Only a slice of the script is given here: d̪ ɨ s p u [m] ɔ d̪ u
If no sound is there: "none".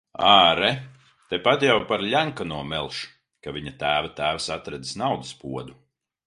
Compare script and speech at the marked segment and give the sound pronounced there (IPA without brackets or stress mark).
none